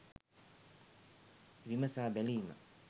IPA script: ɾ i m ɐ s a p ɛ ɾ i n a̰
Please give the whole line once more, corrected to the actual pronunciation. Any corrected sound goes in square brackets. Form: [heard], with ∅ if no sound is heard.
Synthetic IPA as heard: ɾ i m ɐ s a [b] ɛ [l] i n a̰